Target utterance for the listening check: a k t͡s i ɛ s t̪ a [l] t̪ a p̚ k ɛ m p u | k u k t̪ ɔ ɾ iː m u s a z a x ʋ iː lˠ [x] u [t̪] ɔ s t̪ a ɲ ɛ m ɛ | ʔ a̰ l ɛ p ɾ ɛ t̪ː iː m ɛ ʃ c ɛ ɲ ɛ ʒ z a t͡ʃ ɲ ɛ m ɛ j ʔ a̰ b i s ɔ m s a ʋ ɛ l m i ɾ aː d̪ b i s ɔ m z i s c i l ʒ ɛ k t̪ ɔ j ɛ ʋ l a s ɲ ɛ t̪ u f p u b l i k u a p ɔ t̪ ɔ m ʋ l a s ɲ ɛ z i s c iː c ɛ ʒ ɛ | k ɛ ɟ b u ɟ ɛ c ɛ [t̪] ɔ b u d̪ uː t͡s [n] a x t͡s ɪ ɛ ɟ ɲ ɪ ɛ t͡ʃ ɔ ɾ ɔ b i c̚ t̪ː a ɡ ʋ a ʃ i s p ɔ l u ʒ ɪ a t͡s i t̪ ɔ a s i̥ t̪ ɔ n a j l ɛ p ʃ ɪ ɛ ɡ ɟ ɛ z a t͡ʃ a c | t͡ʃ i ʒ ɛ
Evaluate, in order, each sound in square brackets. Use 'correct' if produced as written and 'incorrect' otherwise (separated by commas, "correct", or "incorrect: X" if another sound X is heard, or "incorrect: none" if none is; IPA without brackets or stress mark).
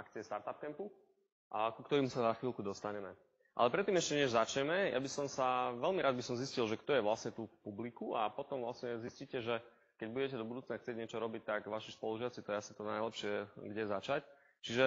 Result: incorrect: ɾ, incorrect: k, incorrect: d̪, incorrect: d̪, correct